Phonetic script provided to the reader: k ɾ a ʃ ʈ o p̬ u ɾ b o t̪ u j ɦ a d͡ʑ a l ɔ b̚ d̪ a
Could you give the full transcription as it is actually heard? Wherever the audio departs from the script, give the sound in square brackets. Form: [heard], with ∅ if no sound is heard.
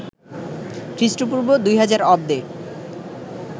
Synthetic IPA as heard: k ɾ [i] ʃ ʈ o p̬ u ɾ b o [d̪] u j ɦ a d͡ʑ a [ɾ] ɔ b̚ d̪ [e]